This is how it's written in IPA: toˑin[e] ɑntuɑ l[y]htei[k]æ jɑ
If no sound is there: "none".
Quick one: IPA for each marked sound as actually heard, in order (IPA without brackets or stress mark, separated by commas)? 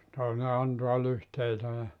e, y, t